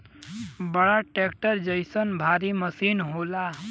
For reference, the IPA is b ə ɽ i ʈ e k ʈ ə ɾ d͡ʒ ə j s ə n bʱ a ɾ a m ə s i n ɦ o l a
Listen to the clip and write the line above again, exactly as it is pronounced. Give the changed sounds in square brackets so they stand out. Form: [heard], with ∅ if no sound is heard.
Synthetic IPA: b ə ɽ [a] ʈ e k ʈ ə ɾ d͡ʒ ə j s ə n bʱ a ɾ [i] m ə s i n ɦ o l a